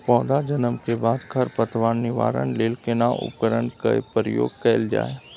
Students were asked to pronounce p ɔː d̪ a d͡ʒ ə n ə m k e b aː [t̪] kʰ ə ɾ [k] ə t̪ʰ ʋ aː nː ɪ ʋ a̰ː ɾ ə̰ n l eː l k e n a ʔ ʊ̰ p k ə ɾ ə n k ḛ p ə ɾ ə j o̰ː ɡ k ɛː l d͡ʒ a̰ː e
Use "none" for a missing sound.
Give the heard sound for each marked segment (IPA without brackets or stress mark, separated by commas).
d̪, p